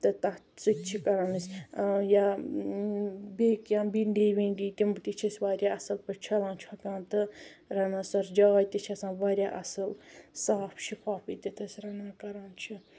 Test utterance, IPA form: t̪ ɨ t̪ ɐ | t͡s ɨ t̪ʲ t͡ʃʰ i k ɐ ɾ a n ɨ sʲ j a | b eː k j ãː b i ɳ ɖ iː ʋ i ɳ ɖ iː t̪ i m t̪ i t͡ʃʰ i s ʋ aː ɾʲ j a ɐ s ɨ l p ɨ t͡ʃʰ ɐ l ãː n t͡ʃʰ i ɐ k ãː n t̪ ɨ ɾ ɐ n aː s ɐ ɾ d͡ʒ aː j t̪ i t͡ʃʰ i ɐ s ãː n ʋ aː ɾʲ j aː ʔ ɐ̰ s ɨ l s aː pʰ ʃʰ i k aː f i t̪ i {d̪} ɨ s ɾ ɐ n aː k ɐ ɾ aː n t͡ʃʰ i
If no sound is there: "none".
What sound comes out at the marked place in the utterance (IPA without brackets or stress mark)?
t̪